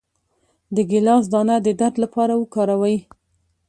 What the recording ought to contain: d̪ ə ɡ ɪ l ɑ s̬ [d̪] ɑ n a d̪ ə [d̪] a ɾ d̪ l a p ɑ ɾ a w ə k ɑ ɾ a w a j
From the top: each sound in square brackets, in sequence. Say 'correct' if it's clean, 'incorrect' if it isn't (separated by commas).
correct, correct